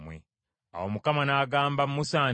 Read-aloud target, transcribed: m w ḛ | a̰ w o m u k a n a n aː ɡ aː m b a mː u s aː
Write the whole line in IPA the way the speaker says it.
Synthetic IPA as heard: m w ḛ | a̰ w o m u k a m a n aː ɡ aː m b a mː u s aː